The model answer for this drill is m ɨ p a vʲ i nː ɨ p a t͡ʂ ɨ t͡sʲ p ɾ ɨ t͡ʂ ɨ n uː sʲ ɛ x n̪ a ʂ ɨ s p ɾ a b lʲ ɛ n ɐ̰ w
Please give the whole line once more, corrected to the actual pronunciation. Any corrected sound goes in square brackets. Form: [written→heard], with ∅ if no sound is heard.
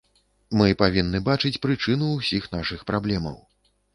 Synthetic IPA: m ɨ p a vʲ i nː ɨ [p→b] a t͡ʂ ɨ t͡sʲ p ɾ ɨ t͡ʂ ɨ n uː sʲ [ɛ→i] x n̪ a ʂ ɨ [s→x] p ɾ a b lʲ ɛ [n→m] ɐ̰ w